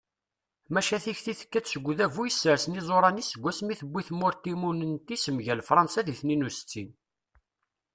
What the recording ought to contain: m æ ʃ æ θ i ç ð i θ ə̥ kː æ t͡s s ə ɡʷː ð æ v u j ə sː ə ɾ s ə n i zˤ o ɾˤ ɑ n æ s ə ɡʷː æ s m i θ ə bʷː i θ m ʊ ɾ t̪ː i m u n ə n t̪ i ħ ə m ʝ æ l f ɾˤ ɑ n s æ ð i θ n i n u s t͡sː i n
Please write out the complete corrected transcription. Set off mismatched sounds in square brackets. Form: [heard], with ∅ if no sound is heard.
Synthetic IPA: m æ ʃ æ θ i ç [θ] i θ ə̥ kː æ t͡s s ə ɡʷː ð æ v u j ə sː ə ɾ s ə n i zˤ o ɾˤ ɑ n [i] s ə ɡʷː æ s m i θ ə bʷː i θ m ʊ ɾ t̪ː i m u n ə n t̪ i [s] ə m ʝ æ l f ɾˤ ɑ n s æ ð i θ n i n u s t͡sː i n